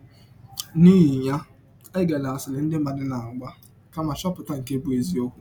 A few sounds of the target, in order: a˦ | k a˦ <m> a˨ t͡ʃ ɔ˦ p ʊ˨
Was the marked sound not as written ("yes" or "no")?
no